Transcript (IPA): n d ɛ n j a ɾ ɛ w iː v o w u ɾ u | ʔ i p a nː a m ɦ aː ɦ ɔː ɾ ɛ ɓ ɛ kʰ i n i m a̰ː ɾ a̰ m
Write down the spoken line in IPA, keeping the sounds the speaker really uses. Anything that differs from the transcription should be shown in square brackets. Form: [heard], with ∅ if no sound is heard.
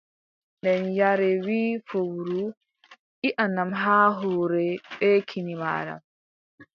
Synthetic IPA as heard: n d ɛ n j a ɾ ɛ w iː [f] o w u ɾ u | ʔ i [ʔ] a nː a m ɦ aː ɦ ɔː ɾ ɛ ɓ ɛ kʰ i n i m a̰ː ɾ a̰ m